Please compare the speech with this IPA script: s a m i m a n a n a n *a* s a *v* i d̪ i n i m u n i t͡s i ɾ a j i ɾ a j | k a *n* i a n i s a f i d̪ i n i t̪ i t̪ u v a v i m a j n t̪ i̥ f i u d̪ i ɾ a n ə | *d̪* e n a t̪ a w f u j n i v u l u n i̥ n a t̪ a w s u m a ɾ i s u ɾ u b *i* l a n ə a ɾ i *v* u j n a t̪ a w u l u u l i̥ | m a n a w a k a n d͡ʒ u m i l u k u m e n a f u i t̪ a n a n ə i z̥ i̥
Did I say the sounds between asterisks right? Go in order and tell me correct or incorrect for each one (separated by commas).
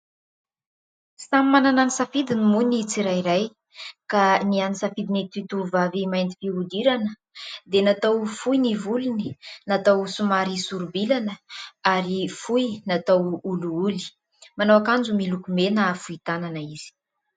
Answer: incorrect, incorrect, correct, correct, correct, incorrect